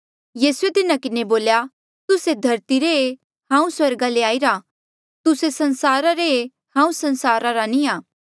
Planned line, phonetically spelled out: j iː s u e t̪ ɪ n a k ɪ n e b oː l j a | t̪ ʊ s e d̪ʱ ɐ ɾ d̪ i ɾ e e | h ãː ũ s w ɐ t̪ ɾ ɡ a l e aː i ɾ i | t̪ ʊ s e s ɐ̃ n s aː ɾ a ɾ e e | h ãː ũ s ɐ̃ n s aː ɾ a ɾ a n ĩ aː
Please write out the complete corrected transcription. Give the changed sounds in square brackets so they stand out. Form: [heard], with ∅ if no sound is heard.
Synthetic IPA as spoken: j iː s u e t̪ ɪ n a k ɪ n e b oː l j a | t̪ ʊ s e d̪ʱ ɐ ɾ [t̪] i ɾ e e | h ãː ũ s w ɐ [∅] ɾ ɡ a l e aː i ɾ [a] | t̪ ʊ s e s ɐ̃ n s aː ɾ a ɾ e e | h ãː ũ s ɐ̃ n s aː ɾ a ɾ a n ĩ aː